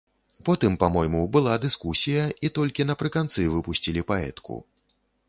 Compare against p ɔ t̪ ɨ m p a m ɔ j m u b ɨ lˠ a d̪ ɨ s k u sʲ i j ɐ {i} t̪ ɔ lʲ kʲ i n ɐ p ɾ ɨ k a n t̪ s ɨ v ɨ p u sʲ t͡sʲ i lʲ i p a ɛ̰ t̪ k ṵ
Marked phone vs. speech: correct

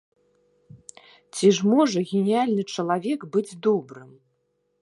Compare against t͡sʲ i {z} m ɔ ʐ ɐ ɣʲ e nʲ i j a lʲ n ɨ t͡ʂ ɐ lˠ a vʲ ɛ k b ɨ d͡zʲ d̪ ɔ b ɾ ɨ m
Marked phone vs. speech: incorrect: ʐ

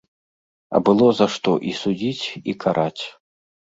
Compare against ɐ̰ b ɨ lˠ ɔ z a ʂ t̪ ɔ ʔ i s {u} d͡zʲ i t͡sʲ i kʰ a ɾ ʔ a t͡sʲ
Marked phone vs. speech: correct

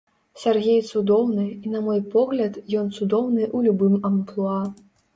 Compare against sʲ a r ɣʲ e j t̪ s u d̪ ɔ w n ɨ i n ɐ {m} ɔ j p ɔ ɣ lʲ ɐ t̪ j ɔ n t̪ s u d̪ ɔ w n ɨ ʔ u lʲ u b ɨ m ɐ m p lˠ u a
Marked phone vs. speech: correct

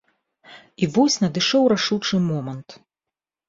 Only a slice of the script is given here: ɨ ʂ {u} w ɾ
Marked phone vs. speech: incorrect: ɔ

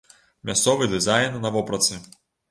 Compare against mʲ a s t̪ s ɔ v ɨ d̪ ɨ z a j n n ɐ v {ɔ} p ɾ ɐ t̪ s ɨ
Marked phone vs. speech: correct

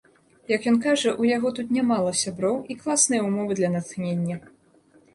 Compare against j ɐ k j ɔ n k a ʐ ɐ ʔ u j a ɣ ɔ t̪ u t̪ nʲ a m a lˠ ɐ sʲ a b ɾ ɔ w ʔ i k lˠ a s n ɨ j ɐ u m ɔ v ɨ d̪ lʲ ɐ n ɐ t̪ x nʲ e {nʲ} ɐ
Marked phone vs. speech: incorrect: nʲː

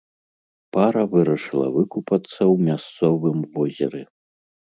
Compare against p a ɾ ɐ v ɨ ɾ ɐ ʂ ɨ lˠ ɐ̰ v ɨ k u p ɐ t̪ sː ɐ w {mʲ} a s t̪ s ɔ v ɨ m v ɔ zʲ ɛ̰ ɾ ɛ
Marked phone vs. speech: correct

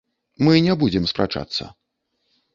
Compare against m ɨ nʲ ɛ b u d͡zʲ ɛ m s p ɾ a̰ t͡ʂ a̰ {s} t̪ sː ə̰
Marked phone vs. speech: incorrect: none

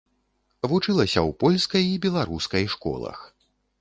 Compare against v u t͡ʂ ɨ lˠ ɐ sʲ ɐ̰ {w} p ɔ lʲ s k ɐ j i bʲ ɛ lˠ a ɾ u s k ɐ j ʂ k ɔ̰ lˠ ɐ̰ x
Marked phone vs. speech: correct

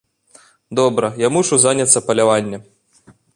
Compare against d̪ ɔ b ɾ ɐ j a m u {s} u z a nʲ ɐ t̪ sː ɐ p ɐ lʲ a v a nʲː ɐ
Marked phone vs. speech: incorrect: ʂ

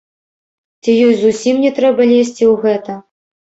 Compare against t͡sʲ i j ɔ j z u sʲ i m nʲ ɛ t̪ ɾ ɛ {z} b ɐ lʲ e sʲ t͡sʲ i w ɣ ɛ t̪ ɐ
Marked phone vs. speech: incorrect: none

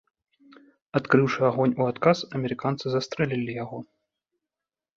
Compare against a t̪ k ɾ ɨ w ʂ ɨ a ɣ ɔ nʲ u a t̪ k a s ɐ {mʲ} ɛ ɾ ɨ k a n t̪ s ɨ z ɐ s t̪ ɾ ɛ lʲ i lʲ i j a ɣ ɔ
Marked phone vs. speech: correct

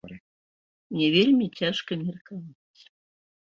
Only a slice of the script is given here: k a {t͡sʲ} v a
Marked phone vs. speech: incorrect: none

